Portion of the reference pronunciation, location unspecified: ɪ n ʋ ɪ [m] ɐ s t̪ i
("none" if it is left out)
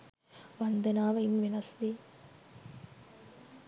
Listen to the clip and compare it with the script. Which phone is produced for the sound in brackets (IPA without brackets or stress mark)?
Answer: n